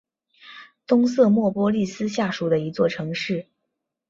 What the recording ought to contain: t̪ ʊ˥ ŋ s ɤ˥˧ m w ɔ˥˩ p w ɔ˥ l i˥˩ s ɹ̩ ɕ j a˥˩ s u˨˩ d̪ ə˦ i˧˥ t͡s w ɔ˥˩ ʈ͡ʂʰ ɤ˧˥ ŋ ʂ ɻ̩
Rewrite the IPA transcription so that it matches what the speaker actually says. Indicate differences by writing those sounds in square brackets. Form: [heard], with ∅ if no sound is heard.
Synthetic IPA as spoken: t̪ ʊ˥ ŋ s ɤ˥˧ m w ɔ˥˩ p w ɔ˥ l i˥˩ s ɹ̩ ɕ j a˥˩ [ʂ] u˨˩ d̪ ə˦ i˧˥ t͡s w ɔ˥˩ ʈ͡ʂʰ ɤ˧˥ ŋ ʂ ɻ̩